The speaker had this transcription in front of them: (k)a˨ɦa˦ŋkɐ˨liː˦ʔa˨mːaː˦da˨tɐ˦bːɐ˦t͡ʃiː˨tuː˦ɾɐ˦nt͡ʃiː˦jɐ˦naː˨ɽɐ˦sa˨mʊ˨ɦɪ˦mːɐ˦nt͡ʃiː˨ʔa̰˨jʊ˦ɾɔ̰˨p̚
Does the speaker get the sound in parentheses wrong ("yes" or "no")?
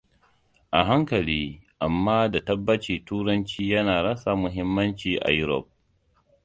yes